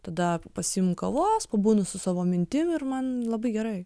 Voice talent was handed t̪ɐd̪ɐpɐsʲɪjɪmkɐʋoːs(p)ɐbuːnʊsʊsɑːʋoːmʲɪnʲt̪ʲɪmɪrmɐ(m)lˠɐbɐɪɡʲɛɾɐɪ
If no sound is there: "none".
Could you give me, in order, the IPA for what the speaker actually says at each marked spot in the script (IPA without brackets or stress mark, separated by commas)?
p, n